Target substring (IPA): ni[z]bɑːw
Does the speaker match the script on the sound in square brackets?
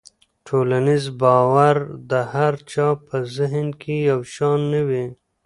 yes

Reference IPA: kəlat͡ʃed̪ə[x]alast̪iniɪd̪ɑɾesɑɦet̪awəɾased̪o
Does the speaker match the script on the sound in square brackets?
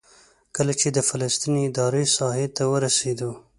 no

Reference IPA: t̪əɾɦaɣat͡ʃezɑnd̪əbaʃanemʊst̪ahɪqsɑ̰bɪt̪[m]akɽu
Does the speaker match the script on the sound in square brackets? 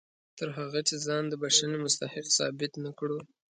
no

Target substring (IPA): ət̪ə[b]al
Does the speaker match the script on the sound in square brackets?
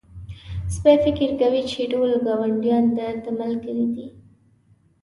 no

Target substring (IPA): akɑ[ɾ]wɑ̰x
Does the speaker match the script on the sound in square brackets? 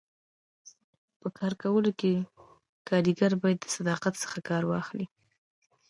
yes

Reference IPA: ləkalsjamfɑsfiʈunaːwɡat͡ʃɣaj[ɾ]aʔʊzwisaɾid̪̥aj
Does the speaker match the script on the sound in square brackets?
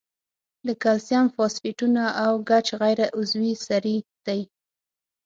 yes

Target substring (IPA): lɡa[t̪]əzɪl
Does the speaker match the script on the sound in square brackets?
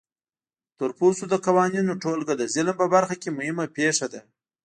no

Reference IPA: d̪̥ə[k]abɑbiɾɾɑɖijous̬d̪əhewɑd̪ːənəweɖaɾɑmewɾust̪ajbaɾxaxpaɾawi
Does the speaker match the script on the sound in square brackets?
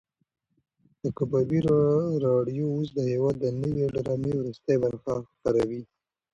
yes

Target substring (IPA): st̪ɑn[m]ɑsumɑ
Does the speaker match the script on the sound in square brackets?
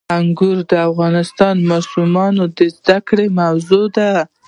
yes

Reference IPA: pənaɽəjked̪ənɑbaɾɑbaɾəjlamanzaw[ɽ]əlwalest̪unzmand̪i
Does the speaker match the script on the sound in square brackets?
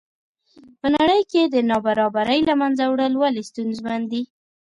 yes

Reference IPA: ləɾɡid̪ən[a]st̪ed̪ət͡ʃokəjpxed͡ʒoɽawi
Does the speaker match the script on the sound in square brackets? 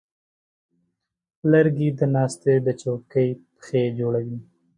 no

